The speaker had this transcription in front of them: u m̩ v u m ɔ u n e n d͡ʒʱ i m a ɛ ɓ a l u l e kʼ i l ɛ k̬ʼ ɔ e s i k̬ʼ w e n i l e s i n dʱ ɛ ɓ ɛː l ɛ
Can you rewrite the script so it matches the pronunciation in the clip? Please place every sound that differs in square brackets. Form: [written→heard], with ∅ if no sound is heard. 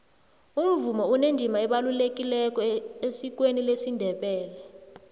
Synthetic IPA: u m̩ v u m ɔ u n e n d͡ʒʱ i m a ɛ ɓ a l u l e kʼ i l ɛ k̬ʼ ɔ e s i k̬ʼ w e n i l e s i n dʱ ɛ ɓ ɛː l ɛ